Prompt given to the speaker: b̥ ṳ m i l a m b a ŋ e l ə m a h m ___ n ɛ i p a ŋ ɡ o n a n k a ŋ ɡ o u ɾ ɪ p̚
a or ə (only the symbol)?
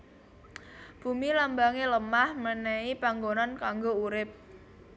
ə